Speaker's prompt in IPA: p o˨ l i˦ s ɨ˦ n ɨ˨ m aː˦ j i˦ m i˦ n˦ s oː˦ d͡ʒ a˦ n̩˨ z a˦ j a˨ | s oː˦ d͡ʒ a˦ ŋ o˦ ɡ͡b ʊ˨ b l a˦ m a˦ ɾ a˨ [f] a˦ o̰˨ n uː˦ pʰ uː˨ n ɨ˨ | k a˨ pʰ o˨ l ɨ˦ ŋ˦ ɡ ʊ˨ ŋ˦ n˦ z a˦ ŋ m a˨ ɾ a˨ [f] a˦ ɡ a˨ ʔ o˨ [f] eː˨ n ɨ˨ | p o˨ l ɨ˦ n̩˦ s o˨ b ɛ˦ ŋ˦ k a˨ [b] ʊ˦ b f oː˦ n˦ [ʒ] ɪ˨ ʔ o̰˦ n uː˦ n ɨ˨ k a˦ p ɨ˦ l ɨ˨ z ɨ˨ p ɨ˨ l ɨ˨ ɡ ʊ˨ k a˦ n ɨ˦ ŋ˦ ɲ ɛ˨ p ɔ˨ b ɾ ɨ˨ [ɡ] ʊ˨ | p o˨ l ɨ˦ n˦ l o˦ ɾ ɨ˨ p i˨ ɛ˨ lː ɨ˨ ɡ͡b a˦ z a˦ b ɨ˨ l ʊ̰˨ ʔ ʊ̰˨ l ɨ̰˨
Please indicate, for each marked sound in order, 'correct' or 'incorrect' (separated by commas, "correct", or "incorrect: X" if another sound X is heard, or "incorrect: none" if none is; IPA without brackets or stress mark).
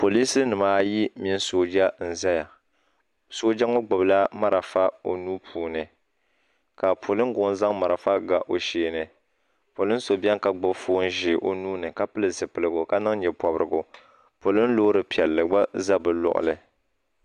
correct, correct, incorrect: ʃ, incorrect: ɡ͡b, correct, correct